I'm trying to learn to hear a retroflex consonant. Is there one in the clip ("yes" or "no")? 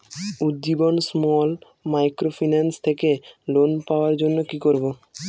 no